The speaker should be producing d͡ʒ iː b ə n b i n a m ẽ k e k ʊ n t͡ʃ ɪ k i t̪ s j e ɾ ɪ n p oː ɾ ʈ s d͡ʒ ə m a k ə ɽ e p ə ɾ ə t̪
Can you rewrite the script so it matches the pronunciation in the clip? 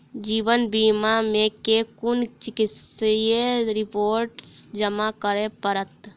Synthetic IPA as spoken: d͡ʒ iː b ə n b i m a m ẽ k e k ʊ n t͡ʃ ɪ k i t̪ s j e ɾ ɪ p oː ɾ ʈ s d͡ʒ ə m a k ə ɾ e p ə ɾ ə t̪